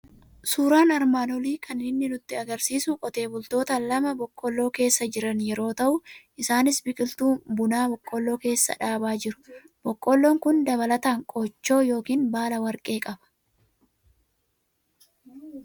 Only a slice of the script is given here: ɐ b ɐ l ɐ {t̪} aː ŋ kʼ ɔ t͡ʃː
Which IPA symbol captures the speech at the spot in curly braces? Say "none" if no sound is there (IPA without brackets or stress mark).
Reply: t̪